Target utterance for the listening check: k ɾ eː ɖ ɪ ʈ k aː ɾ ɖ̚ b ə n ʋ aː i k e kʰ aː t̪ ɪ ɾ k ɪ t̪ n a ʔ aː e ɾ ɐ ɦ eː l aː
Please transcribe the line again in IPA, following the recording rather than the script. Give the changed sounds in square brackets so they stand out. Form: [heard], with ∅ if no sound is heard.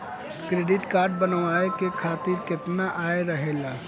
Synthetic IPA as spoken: k ɾ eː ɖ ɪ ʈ k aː ɾ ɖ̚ b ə n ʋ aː [e] k e kʰ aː t̪ ɪ ɾ k ɪ t̪ n a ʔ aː e ɾ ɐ ɦ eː l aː

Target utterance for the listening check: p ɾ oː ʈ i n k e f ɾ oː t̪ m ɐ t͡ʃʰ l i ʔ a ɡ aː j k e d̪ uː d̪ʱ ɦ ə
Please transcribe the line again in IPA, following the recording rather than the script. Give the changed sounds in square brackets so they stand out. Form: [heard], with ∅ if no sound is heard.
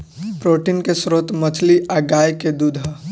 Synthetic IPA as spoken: p ɾ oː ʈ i n k e [s] ɾ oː t̪ m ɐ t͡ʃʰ l i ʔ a ɡ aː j k e d̪ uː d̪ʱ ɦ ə

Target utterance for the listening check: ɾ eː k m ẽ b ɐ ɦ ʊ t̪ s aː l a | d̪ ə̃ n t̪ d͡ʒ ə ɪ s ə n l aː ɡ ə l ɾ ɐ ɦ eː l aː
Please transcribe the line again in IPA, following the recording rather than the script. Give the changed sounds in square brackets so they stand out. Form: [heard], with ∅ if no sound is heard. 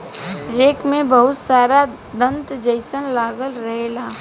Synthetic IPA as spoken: ɾ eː k m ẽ b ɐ ɦ ʊ t̪ s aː [ɾ] a | d̪ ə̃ n t̪ d͡ʒ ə ɪ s ə n l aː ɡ ə l ɾ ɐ ɦ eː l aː

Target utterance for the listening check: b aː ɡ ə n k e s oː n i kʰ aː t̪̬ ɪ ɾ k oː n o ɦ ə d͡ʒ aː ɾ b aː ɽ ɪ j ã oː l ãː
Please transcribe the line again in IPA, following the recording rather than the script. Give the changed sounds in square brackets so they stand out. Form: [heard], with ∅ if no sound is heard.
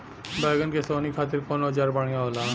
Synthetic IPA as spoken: b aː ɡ ə n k e s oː n i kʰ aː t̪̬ ɪ ɾ k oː n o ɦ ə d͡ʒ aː ɾ b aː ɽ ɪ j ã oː l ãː

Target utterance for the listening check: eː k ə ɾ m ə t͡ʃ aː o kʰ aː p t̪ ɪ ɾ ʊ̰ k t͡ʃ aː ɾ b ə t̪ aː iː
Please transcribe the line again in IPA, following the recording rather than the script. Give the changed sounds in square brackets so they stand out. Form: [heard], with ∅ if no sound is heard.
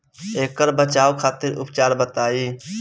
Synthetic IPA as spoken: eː k ə ɾ [b] ə t͡ʃ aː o kʰ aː [∅] t̪ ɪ ɾ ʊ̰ [p] t͡ʃ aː ɾ b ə t̪ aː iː

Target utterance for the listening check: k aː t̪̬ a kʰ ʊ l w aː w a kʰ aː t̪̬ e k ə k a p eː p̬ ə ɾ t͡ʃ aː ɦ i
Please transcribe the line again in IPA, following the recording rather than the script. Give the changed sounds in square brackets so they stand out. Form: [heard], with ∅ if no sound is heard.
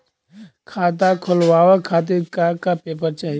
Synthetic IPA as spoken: [kʰ] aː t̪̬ a kʰ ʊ l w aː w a kʰ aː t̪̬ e k [a] k a p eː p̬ ə ɾ t͡ʃ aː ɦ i

